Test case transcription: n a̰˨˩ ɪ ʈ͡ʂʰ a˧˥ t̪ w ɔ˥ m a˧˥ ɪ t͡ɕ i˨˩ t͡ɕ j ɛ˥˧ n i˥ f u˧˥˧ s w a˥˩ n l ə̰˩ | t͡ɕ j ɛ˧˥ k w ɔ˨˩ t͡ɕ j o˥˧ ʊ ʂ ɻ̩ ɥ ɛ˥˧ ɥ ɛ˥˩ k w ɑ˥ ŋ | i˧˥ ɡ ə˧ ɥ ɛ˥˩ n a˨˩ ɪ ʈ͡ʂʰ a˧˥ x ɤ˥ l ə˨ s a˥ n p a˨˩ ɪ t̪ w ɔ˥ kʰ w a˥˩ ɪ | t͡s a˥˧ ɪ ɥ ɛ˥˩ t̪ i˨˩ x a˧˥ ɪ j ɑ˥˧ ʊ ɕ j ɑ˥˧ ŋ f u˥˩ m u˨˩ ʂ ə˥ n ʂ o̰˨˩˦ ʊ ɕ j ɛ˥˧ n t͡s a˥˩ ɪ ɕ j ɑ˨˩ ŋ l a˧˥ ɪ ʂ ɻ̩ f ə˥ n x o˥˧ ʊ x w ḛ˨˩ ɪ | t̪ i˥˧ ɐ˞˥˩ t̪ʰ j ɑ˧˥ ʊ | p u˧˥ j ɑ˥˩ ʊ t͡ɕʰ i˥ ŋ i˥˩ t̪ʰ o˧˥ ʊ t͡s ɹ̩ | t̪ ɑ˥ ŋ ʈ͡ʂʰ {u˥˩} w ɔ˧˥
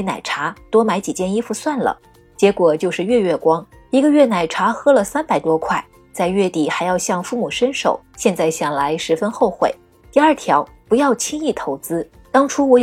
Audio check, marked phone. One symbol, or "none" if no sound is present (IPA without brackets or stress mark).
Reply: u˥